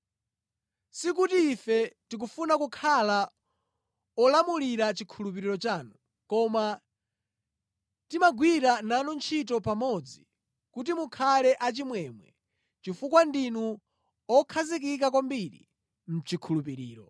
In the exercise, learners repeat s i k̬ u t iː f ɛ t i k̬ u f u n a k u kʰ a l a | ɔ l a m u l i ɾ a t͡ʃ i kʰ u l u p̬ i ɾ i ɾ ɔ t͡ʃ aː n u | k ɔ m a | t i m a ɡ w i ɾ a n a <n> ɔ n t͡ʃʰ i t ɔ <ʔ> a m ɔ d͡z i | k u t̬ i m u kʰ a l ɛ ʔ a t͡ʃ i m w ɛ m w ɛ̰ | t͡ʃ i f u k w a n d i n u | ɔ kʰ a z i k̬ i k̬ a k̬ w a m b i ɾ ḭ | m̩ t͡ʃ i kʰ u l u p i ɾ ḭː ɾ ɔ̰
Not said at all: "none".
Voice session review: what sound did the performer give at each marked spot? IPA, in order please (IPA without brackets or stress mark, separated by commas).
n, p